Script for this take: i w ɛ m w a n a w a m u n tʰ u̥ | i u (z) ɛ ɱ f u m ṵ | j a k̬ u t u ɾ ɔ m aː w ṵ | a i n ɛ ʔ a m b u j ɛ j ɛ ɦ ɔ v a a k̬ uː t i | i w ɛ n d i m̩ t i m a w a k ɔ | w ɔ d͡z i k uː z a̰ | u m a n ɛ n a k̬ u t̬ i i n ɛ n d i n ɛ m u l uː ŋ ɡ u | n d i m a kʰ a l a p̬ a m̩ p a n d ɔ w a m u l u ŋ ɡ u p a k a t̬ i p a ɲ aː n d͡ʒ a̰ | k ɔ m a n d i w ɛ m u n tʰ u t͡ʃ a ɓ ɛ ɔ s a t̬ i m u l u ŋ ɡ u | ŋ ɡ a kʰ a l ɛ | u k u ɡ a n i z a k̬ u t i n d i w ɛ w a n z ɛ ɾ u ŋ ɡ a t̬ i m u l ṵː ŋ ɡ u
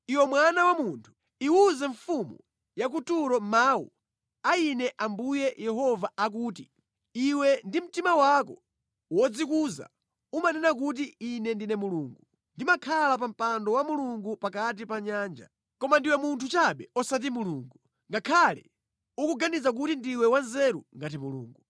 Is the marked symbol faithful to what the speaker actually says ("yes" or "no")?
yes